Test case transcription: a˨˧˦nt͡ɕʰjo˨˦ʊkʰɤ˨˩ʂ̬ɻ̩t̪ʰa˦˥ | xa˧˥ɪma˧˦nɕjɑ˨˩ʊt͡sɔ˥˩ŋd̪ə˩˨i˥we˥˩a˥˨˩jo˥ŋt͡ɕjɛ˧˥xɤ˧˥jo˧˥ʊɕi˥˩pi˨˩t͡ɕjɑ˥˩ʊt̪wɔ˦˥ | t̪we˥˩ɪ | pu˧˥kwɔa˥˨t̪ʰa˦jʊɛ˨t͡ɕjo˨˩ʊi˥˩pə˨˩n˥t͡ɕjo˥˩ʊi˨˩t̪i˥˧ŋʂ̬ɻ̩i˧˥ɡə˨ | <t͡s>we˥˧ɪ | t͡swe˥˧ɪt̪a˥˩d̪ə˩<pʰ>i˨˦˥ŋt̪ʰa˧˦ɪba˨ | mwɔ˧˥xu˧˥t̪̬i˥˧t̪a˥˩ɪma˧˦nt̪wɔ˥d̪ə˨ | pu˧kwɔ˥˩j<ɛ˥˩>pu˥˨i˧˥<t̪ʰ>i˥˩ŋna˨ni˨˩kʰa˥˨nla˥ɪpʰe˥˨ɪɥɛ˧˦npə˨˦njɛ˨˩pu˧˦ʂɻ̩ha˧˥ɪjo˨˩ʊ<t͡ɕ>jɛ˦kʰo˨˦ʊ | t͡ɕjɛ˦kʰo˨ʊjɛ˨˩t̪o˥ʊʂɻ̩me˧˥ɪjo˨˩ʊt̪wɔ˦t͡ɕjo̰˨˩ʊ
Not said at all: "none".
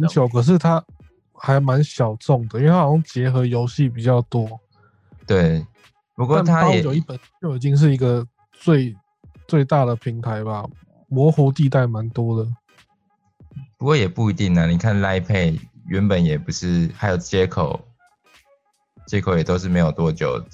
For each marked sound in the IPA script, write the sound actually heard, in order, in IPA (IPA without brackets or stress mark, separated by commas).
t͡s, pʰ, ɛ˨˩, t̪, t͡ɕ